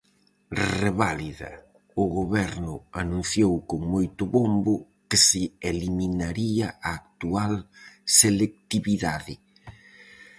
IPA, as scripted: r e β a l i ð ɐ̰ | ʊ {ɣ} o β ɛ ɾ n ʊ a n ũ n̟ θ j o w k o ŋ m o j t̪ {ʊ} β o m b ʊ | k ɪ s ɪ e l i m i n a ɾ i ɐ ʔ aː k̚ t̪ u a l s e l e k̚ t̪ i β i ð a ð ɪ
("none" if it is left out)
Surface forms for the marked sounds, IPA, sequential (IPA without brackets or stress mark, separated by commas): ɣ, ʊ